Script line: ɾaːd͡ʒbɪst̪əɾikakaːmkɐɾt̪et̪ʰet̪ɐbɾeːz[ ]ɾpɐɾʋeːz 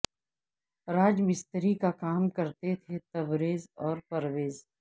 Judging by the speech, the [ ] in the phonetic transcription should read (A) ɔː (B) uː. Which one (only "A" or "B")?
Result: A